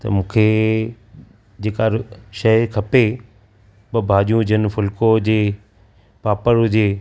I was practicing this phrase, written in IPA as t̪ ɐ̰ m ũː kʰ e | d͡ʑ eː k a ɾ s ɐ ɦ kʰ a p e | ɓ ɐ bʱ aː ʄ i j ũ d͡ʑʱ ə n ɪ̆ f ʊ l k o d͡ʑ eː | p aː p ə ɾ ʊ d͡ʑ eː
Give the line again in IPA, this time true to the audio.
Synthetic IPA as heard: t̪ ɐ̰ m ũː kʰ e | d͡ʑ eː k a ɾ ʃ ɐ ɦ kʰ ɐ p e | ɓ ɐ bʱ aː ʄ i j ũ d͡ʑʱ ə n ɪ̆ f ʊ l k o d͡ʑ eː | p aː p ə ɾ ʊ d͡ʑ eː